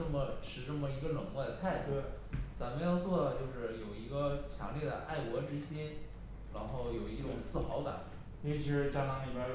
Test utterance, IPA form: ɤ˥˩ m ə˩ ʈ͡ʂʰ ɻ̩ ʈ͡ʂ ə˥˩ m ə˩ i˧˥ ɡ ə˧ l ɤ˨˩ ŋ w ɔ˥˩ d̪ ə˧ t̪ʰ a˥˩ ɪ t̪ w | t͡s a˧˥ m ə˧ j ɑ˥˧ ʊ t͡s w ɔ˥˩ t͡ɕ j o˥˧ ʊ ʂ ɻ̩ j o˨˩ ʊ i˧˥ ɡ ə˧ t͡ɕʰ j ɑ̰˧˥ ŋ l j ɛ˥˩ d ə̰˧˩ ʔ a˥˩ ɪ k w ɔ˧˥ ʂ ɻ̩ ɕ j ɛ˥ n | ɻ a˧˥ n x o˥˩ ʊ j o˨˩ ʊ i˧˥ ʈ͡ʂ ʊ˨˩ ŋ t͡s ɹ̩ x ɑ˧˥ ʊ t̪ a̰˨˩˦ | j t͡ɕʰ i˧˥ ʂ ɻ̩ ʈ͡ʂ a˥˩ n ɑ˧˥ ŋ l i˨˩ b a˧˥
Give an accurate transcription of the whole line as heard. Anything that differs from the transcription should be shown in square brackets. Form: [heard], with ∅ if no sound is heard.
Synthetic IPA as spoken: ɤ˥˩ m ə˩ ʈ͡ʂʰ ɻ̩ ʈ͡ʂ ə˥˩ m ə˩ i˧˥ ɡ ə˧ l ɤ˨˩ ŋ w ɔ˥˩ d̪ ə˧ t̪ʰ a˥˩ ɪ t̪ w | t͡s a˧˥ m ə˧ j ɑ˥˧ ʊ t͡s w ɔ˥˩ t͡ɕ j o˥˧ ʊ ʂ ɻ̩ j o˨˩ ʊ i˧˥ ɡ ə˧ t͡ɕʰ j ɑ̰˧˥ ŋ l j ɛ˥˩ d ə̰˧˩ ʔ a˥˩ ɪ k w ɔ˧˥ [ʈ͡ʂ] ɻ̩ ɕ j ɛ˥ n | ɻ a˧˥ n x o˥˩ ʊ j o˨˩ ʊ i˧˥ ʈ͡ʂ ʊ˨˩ ŋ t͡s ɹ̩ x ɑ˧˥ ʊ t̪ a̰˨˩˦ | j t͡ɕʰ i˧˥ ʂ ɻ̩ ʈ͡ʂ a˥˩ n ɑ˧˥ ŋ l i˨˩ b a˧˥